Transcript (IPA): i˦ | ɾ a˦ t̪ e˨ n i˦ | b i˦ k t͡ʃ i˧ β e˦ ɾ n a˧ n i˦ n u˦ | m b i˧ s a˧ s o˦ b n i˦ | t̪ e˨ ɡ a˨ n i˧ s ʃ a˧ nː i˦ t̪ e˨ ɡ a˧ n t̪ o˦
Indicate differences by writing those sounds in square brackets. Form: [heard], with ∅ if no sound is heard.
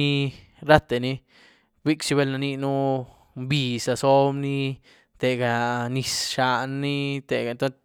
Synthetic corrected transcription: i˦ | ɾ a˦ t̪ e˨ n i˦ | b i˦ k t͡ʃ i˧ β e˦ [l] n a˧ n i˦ n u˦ | m b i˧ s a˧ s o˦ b n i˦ | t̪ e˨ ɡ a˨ n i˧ s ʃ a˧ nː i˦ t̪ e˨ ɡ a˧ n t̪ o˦

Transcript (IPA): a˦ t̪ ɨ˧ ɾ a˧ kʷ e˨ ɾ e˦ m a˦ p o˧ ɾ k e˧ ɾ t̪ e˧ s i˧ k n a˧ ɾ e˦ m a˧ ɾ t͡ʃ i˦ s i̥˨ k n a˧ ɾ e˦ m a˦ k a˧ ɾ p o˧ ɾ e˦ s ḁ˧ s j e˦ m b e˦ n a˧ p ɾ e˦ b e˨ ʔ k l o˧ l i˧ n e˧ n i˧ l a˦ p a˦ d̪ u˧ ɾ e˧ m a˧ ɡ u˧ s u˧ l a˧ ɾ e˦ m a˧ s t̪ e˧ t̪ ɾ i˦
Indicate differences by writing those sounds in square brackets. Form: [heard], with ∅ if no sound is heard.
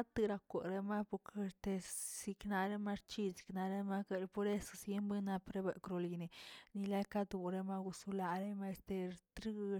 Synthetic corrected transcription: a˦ t̪ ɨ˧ ɾ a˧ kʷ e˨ ɾ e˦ m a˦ p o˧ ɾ k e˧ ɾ t̪ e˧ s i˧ k n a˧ ɾ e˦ m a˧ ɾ t͡ʃ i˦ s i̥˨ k n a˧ ɾ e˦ m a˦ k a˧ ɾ p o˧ ɾ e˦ s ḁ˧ s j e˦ m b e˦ n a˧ p ɾ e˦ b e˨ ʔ k [ɾ] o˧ l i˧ n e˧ n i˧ l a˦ [k] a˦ d̪ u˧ ɾ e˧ m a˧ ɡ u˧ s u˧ l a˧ ɾ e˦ m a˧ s t̪ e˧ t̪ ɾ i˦

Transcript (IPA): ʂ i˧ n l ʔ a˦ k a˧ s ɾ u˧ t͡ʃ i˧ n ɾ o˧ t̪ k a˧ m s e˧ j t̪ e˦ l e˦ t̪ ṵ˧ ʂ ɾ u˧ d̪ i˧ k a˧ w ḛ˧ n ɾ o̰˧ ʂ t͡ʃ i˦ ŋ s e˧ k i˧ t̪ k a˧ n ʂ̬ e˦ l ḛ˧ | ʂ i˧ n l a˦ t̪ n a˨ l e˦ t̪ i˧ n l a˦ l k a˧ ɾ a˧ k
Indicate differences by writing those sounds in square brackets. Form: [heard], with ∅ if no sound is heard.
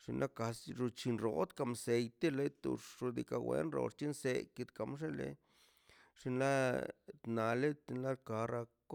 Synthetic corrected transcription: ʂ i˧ n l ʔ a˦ k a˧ s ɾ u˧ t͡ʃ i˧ n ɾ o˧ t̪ k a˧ m s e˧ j t̪ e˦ l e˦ t̪ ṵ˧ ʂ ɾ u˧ d̪ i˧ k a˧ w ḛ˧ n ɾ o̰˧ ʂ t͡ʃ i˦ [n] s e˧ k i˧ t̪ k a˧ [m] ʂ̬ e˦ l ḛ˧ | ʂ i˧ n l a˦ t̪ n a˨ l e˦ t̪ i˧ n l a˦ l k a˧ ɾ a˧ k

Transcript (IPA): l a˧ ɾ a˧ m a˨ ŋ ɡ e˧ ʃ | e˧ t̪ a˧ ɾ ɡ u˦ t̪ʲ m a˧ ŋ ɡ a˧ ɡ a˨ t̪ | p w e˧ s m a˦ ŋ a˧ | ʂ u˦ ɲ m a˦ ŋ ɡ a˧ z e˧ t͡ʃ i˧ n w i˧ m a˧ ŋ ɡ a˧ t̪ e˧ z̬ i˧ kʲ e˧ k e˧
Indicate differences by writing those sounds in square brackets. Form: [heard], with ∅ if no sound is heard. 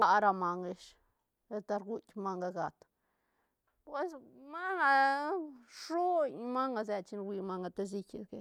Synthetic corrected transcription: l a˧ ɾ a˧ m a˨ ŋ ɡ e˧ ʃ | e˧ t̪ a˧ ɾ ɡ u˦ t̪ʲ m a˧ ŋ ɡ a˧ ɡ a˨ t̪ | p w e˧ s m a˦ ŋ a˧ | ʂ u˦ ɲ m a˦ ŋ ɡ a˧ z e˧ t͡ʃ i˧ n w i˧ m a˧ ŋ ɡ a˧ t̪ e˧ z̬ i˧ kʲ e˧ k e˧

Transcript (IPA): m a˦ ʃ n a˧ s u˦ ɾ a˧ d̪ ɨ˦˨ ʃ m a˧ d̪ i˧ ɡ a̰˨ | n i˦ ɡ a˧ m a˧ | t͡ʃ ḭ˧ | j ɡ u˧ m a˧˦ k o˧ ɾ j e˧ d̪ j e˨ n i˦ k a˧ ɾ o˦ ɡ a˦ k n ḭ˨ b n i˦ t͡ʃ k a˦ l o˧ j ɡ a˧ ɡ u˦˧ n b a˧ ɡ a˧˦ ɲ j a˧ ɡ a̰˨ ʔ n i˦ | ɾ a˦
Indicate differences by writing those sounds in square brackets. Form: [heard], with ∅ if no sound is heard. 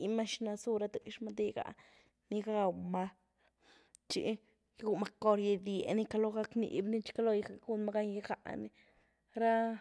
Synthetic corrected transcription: m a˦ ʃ n a˧ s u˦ ɾ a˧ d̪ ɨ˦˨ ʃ m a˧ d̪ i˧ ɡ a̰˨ | n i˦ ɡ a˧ m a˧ | t͡ʃ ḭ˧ | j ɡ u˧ m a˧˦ k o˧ ɾ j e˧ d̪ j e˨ n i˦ k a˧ [l] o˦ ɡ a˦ k n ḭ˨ b n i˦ t͡ʃ k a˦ l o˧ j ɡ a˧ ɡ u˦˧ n [m] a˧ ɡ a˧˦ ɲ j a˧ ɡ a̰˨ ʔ n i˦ | ɾ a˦

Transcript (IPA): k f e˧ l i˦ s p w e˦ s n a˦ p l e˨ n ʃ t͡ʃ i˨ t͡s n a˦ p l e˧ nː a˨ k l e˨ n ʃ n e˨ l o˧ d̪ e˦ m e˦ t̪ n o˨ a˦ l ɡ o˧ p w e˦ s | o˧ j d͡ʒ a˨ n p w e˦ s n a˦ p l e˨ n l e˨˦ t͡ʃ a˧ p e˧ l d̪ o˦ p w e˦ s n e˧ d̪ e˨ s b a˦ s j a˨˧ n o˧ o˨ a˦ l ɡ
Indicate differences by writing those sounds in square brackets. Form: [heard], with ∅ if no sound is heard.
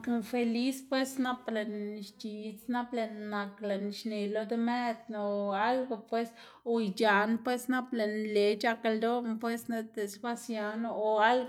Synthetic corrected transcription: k f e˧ l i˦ s p w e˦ s n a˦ p l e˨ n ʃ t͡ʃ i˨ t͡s n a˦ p l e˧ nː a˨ k l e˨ n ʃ n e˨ l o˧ d̪ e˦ m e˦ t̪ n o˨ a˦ l ɡ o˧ p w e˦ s | o˧ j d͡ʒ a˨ n p w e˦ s n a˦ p l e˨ n l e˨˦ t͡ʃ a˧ [k] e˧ l d̪ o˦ p w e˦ s n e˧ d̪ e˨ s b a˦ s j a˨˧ n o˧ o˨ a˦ l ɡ

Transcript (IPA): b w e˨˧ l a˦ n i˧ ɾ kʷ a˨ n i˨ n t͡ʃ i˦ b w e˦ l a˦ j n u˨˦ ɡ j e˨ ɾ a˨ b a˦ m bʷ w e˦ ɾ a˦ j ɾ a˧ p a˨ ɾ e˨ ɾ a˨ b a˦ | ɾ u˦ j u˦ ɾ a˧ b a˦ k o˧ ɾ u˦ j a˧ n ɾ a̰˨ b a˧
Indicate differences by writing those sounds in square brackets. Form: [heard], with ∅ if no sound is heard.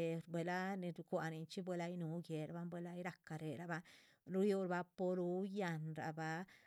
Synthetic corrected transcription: b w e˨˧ l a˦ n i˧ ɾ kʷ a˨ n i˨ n t͡ʃ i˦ b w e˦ l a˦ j n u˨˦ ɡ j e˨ ɾ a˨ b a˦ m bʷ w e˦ [l] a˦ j ɾ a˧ [k] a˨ ɾ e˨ ɾ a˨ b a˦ | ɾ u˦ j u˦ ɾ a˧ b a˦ [p] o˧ ɾ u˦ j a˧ n ɾ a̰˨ b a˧

